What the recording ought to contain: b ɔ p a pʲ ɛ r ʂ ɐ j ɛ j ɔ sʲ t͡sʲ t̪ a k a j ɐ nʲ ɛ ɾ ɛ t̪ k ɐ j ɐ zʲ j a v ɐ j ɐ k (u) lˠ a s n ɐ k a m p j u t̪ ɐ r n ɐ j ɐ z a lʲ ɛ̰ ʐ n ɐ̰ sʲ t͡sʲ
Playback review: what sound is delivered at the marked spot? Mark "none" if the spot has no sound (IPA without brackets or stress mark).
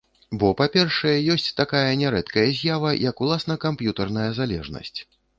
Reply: u